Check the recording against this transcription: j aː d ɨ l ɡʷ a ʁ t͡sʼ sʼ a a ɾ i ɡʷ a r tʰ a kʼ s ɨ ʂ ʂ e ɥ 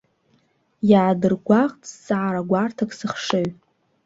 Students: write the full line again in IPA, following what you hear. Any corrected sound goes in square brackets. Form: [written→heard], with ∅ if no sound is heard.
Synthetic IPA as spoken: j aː d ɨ [l→r] ɡʷ a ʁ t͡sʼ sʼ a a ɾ [i→a] ɡʷ a r tʰ a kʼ s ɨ [ʂ→χ] ʂ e ɥ